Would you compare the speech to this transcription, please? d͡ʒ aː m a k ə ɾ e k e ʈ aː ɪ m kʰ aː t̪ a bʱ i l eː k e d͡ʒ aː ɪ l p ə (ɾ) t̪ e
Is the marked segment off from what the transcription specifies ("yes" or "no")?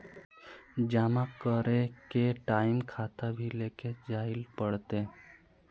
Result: yes